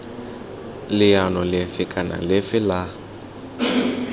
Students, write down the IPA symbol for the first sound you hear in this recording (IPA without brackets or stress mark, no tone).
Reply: l